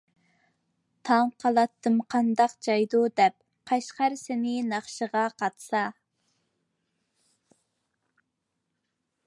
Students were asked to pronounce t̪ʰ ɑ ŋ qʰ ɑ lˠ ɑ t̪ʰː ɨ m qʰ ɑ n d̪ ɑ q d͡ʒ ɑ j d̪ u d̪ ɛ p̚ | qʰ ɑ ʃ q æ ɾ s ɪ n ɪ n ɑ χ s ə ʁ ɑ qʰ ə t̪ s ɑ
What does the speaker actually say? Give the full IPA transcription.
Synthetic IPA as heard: t̪ʰ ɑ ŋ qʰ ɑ lˠ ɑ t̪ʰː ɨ m qʰ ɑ n d̪ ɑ q d͡ʒ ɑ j d̪ u d̪ ɛ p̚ | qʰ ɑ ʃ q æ ɾ s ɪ n ɪ n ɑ χ ʃ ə ʁ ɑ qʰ ɑ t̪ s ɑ